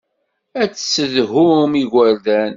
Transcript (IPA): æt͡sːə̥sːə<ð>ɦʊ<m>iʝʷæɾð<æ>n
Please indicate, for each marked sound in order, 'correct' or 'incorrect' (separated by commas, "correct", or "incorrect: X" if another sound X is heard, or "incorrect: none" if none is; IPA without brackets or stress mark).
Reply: correct, correct, correct